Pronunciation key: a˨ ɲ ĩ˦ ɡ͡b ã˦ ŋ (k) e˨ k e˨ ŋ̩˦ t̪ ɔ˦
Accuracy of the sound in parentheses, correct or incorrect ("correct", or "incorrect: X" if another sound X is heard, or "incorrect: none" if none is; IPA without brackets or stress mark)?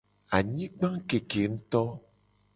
correct